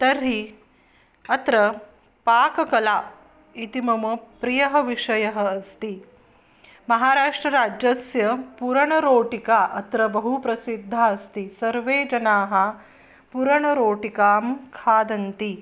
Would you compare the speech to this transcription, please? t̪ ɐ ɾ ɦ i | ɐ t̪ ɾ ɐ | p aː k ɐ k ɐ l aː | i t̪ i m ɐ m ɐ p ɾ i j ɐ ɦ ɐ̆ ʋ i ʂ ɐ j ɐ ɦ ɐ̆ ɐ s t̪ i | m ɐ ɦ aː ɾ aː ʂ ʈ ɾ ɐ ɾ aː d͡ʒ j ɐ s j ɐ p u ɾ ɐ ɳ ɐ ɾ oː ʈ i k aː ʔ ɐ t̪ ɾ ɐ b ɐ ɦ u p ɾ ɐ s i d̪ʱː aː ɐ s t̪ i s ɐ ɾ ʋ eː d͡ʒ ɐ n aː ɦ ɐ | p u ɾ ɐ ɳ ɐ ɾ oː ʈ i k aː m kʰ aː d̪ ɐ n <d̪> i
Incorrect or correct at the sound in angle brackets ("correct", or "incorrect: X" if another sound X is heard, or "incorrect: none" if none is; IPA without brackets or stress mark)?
incorrect: t̪